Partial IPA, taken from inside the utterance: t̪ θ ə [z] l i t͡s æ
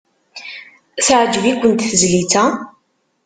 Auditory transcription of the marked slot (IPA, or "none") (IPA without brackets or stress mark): z